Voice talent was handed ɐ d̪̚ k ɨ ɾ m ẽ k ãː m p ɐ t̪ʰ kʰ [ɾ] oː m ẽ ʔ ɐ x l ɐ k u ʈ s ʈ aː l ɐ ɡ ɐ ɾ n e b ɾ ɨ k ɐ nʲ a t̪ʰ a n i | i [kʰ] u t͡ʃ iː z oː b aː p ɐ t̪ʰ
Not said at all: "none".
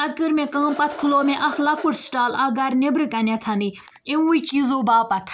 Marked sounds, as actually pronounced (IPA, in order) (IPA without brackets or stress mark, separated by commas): l, none